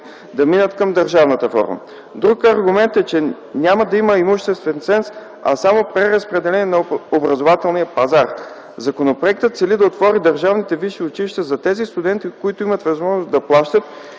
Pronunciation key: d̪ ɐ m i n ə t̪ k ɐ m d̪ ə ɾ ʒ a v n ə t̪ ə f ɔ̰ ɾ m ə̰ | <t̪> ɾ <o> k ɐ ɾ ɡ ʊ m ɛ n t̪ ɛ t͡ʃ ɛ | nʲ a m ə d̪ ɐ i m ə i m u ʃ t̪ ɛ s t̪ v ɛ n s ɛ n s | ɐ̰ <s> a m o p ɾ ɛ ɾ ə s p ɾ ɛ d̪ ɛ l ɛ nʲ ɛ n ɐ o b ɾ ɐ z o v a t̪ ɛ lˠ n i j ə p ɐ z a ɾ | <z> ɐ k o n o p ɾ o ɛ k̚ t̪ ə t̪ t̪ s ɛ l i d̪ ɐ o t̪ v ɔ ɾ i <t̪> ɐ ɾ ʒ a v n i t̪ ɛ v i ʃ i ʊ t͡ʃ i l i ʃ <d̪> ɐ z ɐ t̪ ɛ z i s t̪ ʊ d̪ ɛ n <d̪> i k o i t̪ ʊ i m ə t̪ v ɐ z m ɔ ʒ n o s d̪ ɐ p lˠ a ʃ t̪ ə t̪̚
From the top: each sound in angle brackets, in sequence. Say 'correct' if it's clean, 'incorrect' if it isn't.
incorrect: d̪, incorrect: u, correct, correct, incorrect: d̪, incorrect: t̪, incorrect: t̪

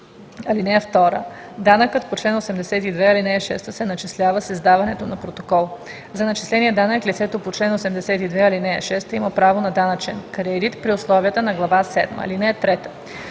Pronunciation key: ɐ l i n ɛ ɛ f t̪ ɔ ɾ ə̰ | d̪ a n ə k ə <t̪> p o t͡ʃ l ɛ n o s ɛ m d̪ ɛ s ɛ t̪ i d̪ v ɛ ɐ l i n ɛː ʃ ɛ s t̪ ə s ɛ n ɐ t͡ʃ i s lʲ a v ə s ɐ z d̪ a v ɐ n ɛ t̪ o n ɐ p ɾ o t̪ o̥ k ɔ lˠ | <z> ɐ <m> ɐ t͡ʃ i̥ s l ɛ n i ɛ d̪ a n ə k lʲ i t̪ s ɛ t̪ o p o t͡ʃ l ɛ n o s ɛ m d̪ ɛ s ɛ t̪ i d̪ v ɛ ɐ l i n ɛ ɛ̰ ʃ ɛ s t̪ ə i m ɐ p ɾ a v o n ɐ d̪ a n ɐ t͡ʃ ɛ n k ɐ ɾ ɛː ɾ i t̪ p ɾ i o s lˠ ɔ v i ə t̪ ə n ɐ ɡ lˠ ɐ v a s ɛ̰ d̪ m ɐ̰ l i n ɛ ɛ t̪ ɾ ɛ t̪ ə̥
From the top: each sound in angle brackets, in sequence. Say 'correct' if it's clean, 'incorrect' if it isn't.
correct, correct, incorrect: n

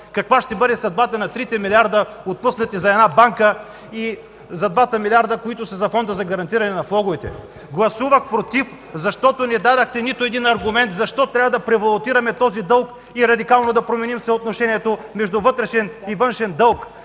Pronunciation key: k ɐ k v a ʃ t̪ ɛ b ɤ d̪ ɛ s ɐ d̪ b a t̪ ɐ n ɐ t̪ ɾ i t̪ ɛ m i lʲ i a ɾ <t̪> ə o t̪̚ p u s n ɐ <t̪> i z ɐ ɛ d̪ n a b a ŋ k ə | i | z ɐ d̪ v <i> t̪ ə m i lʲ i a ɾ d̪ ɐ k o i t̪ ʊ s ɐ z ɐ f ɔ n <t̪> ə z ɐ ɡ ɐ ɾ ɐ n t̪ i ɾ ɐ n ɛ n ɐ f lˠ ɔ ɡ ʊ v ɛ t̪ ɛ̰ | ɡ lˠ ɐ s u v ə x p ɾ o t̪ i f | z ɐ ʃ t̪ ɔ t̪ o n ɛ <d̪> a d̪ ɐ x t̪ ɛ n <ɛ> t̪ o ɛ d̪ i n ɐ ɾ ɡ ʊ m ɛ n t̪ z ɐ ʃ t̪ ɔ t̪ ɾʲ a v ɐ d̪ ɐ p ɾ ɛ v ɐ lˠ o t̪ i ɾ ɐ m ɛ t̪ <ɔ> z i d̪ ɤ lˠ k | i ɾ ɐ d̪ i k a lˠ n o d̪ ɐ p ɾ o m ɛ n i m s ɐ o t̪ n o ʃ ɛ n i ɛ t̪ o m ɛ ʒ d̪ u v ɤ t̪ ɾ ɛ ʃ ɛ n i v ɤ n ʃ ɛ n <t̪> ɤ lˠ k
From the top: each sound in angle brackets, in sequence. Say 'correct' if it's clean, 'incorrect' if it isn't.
incorrect: d̪, correct, incorrect: a, incorrect: d̪, correct, incorrect: i, correct, incorrect: d̪

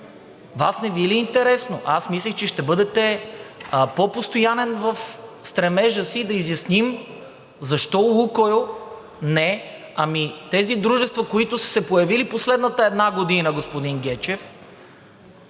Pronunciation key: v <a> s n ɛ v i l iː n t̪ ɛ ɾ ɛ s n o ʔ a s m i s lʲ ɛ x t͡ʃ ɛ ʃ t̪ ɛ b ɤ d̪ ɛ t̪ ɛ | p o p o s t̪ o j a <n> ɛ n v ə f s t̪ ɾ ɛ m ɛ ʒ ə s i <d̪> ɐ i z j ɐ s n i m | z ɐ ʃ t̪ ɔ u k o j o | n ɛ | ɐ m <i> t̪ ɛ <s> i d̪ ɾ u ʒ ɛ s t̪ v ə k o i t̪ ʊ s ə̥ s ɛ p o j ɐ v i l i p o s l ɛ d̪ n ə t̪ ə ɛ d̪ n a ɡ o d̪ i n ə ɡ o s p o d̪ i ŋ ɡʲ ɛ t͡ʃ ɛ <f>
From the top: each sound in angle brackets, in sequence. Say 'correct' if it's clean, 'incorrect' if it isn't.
correct, correct, correct, correct, incorrect: z, correct

